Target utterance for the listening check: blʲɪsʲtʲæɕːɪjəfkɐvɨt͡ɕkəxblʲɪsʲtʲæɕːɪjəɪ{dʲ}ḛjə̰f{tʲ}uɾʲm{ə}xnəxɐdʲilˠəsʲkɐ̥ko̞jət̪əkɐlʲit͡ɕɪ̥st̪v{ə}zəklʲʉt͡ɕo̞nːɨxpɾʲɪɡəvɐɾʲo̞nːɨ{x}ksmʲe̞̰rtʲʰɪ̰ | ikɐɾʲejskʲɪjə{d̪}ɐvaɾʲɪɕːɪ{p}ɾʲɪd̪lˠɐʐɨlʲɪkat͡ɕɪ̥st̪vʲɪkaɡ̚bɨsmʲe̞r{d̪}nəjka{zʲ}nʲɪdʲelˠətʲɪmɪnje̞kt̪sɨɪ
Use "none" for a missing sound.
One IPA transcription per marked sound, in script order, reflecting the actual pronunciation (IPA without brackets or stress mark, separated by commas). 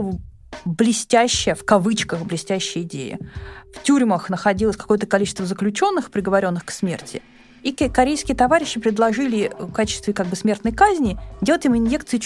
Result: dʲ, tʲ, ə, ə, x, t̪, p, t̪, zʲ